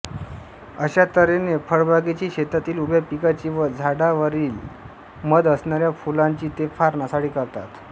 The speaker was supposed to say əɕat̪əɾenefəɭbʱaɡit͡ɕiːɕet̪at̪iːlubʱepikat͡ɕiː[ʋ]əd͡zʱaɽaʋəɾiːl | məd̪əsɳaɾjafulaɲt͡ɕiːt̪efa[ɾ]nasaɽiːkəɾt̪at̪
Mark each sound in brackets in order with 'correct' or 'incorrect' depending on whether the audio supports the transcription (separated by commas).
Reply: correct, correct